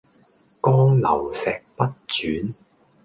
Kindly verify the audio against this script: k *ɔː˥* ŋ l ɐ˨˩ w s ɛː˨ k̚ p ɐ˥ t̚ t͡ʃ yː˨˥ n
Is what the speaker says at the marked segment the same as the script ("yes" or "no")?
yes